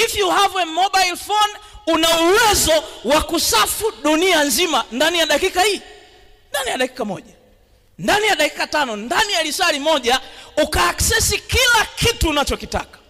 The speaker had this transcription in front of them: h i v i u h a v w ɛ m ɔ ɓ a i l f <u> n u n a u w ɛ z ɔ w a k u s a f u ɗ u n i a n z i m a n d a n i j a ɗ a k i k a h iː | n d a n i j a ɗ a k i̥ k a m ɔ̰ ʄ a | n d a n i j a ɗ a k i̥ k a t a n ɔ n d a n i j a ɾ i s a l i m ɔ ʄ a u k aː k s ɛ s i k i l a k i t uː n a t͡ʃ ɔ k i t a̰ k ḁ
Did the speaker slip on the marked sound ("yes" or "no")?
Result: yes